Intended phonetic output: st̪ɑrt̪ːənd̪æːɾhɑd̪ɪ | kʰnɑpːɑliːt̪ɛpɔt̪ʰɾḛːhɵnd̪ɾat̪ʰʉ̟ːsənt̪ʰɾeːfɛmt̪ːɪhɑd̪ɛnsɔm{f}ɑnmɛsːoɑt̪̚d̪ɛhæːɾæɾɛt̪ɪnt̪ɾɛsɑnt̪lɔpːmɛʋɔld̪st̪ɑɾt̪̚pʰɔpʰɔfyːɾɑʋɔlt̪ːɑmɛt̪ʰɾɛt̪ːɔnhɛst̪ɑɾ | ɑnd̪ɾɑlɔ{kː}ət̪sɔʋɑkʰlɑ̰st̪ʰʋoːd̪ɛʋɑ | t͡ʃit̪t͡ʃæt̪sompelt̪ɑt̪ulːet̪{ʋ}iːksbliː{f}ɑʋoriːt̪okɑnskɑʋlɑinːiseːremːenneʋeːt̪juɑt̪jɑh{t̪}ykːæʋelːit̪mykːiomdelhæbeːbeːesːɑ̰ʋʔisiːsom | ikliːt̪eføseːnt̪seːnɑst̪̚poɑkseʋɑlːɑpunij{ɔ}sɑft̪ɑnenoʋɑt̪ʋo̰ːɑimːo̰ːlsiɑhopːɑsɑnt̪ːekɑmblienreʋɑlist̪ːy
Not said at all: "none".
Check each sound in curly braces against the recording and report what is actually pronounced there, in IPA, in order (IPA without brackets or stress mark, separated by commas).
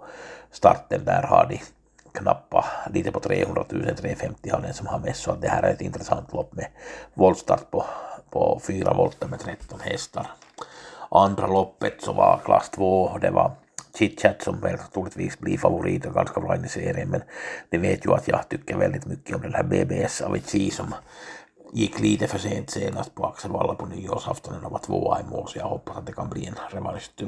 h, pː, ʋ, f, t̪, o